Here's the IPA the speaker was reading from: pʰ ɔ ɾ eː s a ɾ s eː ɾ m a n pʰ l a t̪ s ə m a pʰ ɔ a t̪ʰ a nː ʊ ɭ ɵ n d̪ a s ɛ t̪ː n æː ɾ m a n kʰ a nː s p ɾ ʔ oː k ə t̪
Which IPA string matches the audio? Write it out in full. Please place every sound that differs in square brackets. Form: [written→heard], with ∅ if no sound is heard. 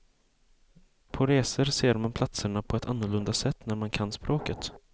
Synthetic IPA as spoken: pʰ ɔ ɾ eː s [a→ə] ɾ s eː ɾ m a n pʰ l a t̪ s ə [m→ɳ] a pʰ ɔ [a→ɛ] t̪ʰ a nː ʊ ɭ ɵ n d̪ a s ɛ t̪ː n [æː→æ] ɾ m a n kʰ a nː s p ɾ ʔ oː k ə t̪